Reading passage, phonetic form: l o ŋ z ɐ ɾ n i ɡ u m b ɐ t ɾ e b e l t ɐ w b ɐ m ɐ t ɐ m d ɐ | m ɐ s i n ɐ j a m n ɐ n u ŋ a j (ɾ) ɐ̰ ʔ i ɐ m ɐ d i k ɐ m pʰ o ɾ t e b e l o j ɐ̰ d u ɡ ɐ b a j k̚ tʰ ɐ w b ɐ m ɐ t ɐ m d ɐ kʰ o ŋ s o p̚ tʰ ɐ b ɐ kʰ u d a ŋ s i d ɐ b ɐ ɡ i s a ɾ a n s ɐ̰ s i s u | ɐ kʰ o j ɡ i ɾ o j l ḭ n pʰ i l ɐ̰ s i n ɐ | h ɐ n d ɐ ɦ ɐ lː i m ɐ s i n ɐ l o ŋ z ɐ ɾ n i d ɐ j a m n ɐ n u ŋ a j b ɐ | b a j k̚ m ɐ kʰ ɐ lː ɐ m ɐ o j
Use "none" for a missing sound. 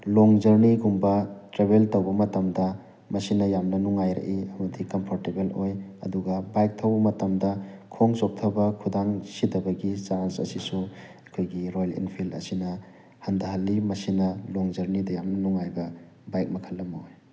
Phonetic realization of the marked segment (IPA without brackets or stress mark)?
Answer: ɾ